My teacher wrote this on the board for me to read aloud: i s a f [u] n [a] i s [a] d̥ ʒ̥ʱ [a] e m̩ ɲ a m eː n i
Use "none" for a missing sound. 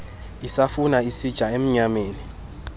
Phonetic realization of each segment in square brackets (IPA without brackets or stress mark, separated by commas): u, a, i, a